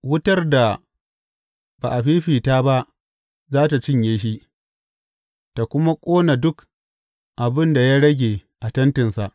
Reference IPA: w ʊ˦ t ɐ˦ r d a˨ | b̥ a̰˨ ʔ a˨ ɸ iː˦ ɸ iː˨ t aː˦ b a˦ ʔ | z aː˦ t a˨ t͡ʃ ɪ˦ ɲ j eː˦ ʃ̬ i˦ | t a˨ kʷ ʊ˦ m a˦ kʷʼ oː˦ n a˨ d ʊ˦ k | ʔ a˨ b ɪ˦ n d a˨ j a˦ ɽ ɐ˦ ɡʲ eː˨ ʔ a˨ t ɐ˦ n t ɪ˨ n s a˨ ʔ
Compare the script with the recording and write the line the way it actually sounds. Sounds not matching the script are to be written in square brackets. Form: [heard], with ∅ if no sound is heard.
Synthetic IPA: w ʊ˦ t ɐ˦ r d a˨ | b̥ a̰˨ ʔ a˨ ɸ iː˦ ɸ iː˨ t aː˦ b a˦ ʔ | z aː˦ t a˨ t͡ʃ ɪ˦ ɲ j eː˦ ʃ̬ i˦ | t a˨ kʷ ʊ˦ m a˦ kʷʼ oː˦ n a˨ d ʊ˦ k | ʔ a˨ b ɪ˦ n d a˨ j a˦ ɽ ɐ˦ ɡʲ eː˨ ʔ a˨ t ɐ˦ n t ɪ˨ n s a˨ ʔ